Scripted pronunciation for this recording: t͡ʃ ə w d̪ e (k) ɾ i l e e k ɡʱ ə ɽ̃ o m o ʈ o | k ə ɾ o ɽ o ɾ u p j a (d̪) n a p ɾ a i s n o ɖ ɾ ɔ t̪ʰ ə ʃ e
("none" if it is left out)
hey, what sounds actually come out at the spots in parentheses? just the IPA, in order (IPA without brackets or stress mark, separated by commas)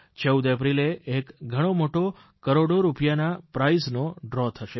p, none